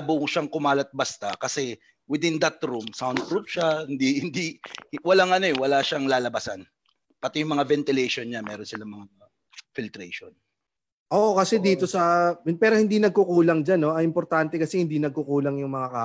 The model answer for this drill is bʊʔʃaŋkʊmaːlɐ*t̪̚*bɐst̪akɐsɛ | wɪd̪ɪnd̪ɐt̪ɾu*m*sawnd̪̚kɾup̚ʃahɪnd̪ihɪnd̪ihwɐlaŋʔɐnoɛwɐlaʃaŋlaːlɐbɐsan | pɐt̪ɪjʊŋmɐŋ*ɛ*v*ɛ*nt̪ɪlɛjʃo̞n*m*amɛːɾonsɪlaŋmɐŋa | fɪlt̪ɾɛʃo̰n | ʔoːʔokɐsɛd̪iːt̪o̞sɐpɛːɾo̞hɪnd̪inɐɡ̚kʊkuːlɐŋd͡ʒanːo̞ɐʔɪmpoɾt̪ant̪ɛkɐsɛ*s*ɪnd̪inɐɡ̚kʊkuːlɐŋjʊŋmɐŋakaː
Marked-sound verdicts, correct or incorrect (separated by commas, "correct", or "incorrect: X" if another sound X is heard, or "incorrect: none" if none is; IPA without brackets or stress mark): correct, correct, incorrect: a, correct, incorrect: ɲ, incorrect: h